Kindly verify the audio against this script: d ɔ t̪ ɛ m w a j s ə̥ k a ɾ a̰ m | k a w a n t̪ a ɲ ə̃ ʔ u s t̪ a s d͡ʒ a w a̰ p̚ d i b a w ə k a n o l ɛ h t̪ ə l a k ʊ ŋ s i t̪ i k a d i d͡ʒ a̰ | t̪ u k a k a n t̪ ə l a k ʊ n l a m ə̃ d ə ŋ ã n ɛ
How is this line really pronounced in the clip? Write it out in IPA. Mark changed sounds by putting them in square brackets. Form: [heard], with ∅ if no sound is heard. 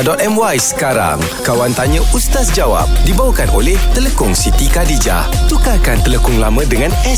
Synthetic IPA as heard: d ɔ t̪ ɛ m w a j s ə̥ k a ɾ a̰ [ŋ] | k a w a n t̪ a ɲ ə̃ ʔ u s t̪ a s d͡ʒ a w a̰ p̚ d i b a w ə k a n o l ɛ h t̪ ə l [ə] k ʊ ŋ s i t̪ i k a d i d͡ʒ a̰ | t̪ u k a k a n t̪ ə l [ə] k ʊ [ŋ] l a m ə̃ d ə ŋ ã n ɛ